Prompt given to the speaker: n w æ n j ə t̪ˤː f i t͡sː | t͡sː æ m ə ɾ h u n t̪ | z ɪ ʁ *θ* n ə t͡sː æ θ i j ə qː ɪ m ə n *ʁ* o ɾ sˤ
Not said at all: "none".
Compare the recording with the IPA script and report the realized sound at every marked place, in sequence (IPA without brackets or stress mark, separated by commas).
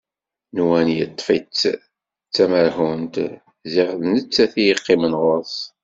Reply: ð, ʁ